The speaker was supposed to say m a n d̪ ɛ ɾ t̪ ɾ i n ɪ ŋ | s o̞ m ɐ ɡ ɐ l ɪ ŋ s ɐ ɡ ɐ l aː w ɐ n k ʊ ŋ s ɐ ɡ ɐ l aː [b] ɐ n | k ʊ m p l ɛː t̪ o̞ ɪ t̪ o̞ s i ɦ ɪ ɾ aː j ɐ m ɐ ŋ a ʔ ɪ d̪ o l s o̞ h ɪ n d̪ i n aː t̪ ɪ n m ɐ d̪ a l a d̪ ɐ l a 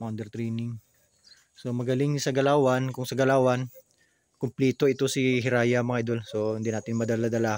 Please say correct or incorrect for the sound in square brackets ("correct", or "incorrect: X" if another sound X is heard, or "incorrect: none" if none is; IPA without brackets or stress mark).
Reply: incorrect: w